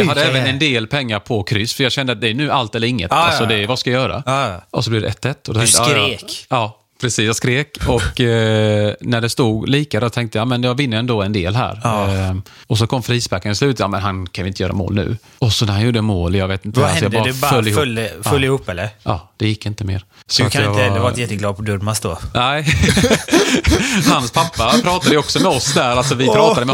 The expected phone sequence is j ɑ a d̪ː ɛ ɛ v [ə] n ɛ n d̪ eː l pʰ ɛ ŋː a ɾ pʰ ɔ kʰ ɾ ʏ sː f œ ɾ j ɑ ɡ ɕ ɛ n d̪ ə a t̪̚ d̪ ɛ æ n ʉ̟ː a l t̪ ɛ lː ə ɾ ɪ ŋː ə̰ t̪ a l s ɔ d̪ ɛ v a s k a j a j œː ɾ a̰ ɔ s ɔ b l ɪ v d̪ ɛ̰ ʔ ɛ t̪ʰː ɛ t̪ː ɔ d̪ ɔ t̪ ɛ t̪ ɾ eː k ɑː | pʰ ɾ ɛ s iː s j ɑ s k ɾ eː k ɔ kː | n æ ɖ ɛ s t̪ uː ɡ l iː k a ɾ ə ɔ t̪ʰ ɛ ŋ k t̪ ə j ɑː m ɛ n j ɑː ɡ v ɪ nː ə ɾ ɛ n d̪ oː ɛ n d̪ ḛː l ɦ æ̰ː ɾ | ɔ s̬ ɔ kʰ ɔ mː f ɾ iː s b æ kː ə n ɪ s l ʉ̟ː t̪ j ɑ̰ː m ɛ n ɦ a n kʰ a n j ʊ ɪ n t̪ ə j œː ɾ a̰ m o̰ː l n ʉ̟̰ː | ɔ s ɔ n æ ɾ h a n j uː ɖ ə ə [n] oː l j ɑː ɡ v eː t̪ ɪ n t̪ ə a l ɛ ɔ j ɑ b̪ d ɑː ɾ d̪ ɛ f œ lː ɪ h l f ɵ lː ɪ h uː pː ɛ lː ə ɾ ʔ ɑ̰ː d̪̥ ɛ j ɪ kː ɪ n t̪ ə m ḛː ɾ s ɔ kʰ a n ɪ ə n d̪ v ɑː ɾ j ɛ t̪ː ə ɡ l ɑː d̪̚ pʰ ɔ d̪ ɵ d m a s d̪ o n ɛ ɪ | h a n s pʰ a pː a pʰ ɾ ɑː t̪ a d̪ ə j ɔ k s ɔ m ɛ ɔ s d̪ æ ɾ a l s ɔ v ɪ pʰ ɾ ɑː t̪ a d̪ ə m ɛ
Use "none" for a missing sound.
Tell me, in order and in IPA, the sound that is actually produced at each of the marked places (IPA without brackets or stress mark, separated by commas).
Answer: ə, m